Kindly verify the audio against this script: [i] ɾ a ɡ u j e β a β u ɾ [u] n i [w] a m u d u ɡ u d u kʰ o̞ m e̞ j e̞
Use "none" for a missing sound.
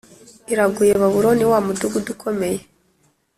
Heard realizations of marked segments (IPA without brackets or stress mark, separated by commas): i, o, w